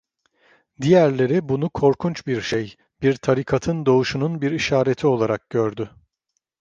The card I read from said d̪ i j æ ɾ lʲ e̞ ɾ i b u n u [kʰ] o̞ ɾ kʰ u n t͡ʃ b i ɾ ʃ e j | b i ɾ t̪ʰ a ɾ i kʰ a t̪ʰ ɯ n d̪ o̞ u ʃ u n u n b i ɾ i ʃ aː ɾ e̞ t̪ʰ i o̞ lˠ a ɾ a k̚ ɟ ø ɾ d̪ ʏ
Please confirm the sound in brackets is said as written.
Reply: yes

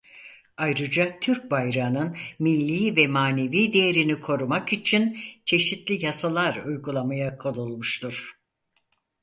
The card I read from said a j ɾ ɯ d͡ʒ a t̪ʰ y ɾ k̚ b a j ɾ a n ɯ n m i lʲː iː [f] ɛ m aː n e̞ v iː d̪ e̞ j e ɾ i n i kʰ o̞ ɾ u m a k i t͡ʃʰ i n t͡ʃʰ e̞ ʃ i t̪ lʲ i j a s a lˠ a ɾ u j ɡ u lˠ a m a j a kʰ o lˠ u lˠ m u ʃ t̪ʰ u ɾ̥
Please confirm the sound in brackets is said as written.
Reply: no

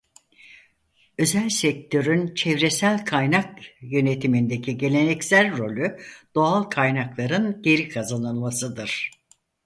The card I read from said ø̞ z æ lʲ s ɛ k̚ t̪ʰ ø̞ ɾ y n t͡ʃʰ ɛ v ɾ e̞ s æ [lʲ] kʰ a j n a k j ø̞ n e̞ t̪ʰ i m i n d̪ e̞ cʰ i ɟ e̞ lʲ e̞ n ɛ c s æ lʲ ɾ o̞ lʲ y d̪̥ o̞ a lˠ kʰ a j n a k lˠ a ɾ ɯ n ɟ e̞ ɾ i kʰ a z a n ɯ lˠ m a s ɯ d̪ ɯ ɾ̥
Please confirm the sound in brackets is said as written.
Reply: yes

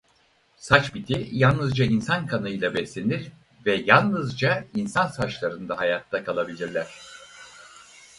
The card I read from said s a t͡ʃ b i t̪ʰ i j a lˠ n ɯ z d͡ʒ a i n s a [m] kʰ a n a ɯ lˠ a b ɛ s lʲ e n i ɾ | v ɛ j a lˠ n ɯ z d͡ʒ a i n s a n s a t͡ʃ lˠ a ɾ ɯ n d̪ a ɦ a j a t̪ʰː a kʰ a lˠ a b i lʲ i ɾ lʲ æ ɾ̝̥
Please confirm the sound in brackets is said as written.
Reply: no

